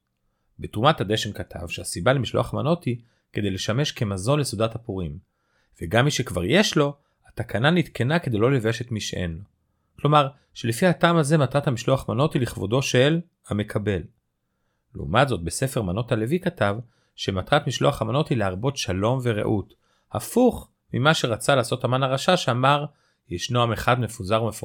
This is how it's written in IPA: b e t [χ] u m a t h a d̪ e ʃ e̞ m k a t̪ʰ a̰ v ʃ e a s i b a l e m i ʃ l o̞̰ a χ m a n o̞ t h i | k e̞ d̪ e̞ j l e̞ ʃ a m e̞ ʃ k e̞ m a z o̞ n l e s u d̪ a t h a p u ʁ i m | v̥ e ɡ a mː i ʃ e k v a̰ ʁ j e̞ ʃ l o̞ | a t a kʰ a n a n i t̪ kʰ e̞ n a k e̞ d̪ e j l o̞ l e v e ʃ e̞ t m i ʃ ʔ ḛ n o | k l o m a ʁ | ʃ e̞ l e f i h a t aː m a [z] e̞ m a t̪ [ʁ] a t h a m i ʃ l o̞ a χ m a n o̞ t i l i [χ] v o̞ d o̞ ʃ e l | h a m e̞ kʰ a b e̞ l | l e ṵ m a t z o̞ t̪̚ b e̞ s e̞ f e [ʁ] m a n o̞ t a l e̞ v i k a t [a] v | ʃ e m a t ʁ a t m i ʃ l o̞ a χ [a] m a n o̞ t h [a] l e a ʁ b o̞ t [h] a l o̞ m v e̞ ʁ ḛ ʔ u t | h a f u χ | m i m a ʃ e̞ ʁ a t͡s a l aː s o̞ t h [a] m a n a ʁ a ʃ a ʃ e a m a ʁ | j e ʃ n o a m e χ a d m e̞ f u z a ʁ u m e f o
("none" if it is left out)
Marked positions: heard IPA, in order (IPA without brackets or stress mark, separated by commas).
ʁ, z, ʁ, χ, ʁ, a, a, i, ʃ, a